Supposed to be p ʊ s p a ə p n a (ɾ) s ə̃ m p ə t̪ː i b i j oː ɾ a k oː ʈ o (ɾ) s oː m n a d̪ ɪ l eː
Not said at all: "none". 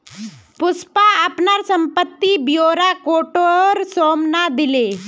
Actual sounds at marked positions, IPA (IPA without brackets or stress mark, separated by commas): ɾ, ɾ